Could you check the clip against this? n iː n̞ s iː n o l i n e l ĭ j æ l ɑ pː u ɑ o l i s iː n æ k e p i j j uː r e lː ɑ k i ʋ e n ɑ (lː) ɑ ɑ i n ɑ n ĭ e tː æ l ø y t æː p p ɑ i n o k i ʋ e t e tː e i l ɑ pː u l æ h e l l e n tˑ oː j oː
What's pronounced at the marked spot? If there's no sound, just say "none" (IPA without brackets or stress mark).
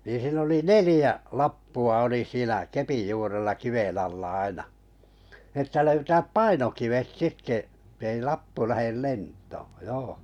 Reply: lː